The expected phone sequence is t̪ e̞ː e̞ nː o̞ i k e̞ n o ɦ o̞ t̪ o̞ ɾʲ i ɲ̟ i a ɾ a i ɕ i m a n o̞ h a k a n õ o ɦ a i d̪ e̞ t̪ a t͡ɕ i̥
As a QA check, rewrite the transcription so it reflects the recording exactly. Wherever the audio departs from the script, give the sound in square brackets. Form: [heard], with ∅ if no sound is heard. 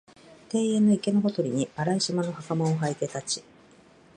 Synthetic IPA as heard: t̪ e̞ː e̞ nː o̞ i k e̞ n o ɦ o̞ t̪ o̞ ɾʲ i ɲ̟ i a ɾ a i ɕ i m a n o̞ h a k a [m] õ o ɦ a i [t̪] e̞ t̪ a t͡ɕ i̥